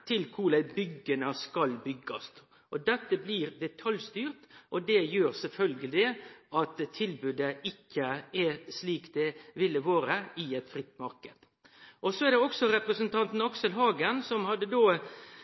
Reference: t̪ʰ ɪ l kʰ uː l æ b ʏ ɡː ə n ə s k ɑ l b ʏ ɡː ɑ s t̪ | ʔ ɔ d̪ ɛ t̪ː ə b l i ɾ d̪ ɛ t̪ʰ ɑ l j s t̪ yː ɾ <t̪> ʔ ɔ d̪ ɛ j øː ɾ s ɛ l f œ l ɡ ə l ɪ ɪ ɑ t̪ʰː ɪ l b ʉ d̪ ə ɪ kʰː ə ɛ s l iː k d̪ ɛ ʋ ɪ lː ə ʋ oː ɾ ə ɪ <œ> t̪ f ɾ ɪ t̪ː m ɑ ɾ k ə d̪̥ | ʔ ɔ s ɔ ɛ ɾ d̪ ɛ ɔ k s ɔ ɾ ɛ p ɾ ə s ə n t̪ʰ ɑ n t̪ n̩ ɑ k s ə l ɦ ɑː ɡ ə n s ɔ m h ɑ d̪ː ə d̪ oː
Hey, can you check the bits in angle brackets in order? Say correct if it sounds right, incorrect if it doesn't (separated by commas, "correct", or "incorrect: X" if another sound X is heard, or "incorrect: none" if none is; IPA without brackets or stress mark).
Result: correct, incorrect: ɛ